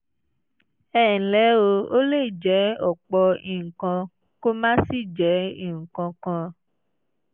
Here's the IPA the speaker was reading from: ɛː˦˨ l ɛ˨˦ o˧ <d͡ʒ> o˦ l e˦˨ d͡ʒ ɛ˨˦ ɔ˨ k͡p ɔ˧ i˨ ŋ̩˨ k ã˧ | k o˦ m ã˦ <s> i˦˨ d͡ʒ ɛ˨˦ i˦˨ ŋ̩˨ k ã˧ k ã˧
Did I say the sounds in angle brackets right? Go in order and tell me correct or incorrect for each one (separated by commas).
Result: incorrect, correct